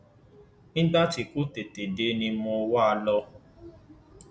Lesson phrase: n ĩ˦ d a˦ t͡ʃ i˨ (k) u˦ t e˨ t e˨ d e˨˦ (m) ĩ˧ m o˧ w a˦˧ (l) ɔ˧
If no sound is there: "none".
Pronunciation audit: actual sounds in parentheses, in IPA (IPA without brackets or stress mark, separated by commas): k, n, l